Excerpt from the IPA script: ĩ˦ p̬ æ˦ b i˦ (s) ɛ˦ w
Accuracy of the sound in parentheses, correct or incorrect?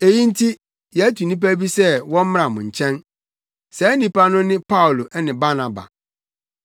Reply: correct